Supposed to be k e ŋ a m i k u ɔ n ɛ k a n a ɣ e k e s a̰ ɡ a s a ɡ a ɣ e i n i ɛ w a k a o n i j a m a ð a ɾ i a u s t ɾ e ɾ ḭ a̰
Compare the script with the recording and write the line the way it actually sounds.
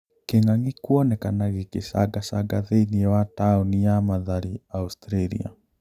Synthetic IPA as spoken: k e ŋ a ŋ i k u ɔ n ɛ k a n a ɣ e k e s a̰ ɡ a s a ɡ a ð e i n i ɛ w a t a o n i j a m a ð a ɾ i a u s t ɾ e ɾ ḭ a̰